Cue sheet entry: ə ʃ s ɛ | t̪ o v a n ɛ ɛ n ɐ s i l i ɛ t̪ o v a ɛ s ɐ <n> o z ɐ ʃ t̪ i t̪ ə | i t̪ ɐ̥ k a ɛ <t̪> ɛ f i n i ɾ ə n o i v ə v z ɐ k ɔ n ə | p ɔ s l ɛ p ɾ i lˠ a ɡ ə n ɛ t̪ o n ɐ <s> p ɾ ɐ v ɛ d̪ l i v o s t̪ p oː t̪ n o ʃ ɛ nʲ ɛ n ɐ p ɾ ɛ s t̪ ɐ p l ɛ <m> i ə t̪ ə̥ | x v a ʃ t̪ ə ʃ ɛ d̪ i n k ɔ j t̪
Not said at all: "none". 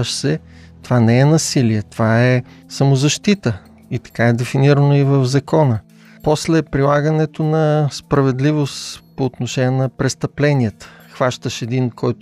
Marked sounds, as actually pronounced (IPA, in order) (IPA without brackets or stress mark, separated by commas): m, d̪, s, n